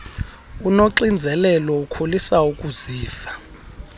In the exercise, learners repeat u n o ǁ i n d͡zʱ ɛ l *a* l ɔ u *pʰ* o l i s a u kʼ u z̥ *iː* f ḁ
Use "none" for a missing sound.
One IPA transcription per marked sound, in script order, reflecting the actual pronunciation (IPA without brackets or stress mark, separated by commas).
ɛ, kʰ, iː